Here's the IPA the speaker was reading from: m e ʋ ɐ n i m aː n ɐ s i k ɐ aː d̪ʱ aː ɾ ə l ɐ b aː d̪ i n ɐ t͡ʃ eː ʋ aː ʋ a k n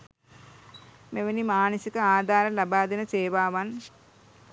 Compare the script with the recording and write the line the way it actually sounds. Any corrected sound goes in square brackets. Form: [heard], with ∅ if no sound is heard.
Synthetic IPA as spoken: m e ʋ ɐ n i m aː n ɐ s i k ɐ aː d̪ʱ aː ɾ [ɐ] l ɐ b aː d̪ i n ɐ t͡ʃ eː ʋ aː ʋ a [∅] n